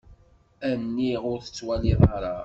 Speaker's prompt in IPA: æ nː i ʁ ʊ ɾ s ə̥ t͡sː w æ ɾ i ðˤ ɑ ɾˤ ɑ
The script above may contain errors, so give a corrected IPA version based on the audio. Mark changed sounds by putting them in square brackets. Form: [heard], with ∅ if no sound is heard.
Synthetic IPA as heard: æ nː i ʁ ʊ ɾ [θ] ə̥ t͡sː w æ [l] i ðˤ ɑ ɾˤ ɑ